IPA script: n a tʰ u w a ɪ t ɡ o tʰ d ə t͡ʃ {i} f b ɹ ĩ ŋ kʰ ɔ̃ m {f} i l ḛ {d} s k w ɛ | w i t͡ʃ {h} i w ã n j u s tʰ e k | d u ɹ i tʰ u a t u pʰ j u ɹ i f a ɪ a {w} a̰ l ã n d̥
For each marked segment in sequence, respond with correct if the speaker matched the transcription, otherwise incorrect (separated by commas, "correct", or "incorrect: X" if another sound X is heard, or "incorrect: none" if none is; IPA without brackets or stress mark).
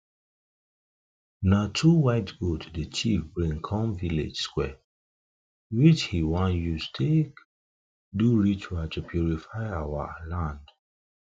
correct, incorrect: v, incorrect: d͡ʒ, correct, correct